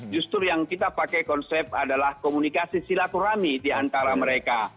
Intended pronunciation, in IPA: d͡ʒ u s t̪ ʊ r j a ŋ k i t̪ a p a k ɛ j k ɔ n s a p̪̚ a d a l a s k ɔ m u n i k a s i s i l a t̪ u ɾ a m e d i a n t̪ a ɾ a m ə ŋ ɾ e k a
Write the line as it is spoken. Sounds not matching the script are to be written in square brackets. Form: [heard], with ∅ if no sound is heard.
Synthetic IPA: d͡ʒ u s t̪ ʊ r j a ŋ k i t̪ a p a k ɛ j k ɔ n s [ɛ] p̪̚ a d a l a [h] k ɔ m u n i k a s i s i l a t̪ u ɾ a m [i] d i a n t̪ a ɾ a m ə [∅] ɾ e k a